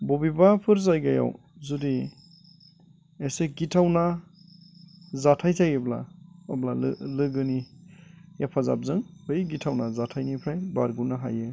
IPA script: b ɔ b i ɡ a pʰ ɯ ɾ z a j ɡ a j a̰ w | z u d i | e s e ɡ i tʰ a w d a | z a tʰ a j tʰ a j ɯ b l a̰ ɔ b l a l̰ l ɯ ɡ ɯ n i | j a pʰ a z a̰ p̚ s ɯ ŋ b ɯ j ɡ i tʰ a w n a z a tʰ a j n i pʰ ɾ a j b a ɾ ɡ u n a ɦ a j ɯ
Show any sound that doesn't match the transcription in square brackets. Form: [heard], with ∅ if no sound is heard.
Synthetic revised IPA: b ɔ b i [b] a pʰ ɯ ɾ z a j ɡ a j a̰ w | z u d i | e s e ɡ i tʰ a w [n] a | z a tʰ a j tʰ a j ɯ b l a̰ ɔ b l a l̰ l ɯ ɡ ɯ n i | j a pʰ a z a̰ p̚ [z] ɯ ŋ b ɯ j ɡ i tʰ a w n a z a tʰ a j n i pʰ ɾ a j b a ɾ ɡ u n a ɦ a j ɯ